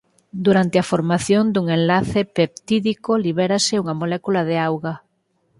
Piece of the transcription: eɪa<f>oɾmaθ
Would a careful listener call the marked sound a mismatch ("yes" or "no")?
no